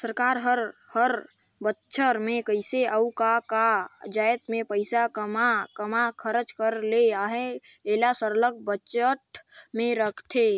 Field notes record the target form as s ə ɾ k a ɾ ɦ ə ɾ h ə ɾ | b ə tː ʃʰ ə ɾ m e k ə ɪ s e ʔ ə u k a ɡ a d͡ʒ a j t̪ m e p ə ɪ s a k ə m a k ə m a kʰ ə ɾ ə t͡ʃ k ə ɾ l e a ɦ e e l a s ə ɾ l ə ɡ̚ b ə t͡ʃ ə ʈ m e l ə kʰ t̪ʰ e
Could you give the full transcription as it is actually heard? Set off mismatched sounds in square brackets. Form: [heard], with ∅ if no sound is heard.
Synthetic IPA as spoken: s ə ɾ k a ɾ ɦ ə ɾ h ə ɾ | b ə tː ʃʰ ə ɾ m e k ə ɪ s e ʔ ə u k a [k] a d͡ʒ a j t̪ m e p ə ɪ s a k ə m a k ə m a kʰ ə ɾ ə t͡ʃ k ə ɾ l e a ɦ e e l a s ə ɾ l ə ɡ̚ b ə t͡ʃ ə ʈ m e [ɾ] ə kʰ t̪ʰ e